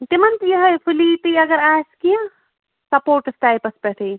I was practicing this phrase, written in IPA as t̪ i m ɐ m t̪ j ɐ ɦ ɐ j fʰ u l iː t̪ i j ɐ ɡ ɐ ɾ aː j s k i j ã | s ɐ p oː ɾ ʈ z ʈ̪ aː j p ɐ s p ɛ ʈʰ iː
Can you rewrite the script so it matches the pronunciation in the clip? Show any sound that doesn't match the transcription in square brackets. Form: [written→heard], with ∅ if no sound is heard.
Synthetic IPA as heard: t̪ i m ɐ [m→n] t̪ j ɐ ɦ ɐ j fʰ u l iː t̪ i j ɐ ɡ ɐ ɾ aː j s k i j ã | s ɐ p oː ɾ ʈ [z→s] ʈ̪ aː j p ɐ s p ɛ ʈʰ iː